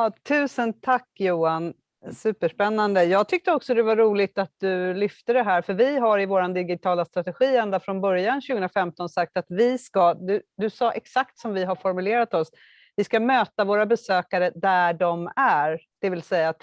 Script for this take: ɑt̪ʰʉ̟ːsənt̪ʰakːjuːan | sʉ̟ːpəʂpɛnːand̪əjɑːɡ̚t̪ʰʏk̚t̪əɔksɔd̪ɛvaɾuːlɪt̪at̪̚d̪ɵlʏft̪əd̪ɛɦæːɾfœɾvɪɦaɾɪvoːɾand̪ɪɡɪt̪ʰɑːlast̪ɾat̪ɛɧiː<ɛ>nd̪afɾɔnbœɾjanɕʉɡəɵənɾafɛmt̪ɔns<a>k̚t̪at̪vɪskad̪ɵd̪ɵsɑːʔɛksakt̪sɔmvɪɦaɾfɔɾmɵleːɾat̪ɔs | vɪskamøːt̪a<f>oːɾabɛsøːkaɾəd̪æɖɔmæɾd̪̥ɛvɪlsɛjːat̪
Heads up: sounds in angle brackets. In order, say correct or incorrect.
correct, correct, incorrect: v

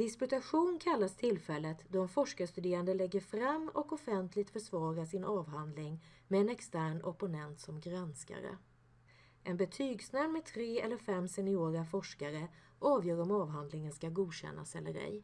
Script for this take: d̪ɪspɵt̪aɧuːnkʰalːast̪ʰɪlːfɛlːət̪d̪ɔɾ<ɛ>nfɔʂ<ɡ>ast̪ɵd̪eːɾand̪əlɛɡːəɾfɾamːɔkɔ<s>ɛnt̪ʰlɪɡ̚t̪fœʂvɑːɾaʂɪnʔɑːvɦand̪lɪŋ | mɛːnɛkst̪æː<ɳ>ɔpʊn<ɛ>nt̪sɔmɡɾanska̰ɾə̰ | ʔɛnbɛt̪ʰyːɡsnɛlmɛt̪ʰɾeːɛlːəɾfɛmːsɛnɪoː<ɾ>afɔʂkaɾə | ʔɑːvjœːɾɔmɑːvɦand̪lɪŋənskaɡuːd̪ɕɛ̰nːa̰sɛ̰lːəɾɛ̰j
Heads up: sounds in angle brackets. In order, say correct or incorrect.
correct, incorrect: k, incorrect: f, correct, correct, correct

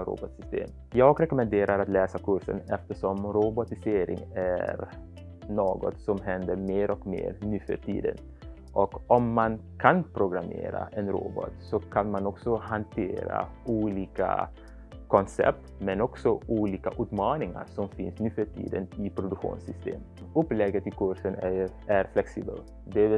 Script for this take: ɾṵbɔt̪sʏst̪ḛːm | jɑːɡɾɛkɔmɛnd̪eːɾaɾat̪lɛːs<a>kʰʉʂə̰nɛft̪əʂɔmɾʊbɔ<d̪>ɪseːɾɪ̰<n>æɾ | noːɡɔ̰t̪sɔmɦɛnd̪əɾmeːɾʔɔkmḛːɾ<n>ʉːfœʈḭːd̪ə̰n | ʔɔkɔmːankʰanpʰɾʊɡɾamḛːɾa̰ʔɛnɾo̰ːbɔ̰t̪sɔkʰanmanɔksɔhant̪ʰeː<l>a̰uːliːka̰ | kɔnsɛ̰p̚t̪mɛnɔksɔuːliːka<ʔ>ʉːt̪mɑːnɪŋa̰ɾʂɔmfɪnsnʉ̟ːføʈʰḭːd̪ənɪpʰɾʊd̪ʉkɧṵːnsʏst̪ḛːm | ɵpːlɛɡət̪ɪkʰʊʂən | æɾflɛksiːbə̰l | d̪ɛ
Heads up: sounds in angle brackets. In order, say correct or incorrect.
correct, incorrect: t̪, incorrect: ŋ, correct, incorrect: ɾ, correct

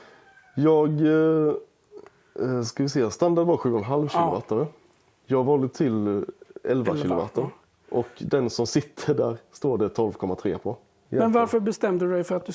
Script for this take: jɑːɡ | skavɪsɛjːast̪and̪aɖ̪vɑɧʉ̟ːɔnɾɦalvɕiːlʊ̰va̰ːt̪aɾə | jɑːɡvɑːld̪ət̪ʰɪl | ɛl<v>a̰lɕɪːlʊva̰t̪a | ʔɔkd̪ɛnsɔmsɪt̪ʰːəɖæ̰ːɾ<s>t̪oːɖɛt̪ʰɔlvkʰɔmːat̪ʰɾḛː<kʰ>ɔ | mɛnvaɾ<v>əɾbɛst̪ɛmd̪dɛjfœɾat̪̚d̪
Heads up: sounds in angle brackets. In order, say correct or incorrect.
correct, correct, incorrect: pʰ, incorrect: f

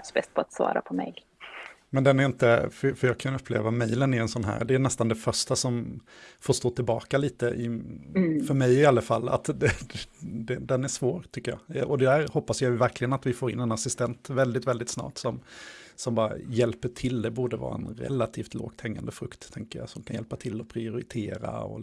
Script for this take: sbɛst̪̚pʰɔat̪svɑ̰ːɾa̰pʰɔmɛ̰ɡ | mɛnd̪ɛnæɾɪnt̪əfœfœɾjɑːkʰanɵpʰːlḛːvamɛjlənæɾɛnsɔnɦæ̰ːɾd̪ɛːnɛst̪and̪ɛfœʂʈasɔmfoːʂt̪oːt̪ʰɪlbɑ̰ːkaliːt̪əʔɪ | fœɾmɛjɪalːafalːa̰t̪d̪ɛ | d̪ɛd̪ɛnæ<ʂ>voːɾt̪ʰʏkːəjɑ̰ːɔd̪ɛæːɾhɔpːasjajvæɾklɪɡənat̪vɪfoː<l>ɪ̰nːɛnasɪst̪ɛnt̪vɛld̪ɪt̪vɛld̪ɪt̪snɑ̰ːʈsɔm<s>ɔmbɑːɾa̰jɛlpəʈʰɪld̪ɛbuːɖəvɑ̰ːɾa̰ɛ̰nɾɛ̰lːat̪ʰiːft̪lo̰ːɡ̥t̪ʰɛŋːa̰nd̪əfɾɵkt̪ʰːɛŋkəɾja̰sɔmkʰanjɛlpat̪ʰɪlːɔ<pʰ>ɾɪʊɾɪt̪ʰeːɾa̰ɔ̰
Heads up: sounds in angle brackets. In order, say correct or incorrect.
correct, incorrect: ɾ, correct, correct

